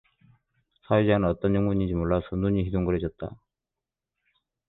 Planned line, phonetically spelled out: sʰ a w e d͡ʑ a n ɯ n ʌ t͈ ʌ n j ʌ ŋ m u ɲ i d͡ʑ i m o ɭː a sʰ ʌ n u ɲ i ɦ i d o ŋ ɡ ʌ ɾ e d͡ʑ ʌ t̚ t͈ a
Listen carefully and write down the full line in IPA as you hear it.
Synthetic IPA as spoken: sʰ a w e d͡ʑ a n ɯ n ʌ t͈ ʌ n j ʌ ŋ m u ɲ i d͡ʑ i m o ɭː a sʰ ʌ n u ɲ i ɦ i d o ŋ ɡ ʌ ɾ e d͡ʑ ʌ t̚ t͈ a